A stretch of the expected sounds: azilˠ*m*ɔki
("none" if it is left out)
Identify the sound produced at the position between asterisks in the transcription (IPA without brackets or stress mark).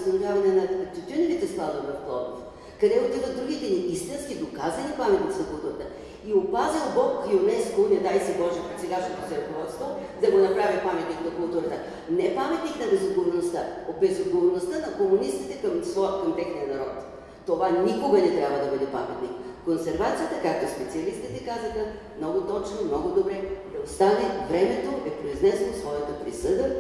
b